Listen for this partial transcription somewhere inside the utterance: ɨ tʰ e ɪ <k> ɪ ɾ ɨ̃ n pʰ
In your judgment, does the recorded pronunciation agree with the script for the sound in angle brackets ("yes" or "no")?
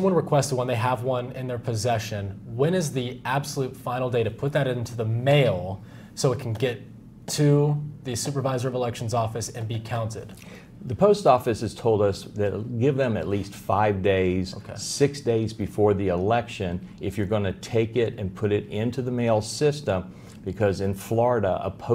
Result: yes